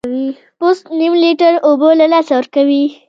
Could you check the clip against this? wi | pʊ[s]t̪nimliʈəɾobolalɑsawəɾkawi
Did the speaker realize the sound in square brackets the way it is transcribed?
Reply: yes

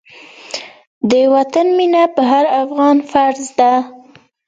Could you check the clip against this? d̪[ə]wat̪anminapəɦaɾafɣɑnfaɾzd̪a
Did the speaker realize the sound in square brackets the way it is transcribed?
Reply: yes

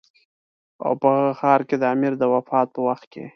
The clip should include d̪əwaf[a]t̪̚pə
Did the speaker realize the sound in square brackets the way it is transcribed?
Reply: no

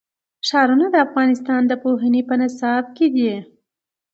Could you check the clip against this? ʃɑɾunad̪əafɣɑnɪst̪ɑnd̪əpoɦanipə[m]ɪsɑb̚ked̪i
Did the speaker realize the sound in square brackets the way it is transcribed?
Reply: no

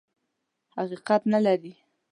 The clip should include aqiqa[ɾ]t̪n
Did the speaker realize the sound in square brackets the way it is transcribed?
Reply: no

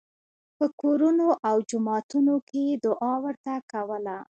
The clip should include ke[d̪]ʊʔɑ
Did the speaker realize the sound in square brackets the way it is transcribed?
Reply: yes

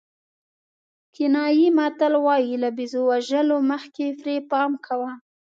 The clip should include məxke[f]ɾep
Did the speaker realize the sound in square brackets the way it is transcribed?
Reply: yes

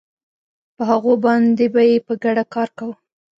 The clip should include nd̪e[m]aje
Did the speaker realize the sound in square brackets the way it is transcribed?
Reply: no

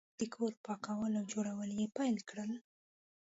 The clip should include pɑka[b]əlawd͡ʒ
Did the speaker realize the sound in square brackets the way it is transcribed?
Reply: no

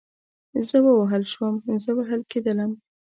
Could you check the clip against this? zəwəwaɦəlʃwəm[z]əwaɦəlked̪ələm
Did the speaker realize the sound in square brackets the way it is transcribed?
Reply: yes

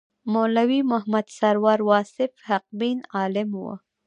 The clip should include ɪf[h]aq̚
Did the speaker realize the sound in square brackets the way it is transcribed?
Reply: yes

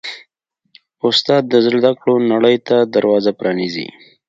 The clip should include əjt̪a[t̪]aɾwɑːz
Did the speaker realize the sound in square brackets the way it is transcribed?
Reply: no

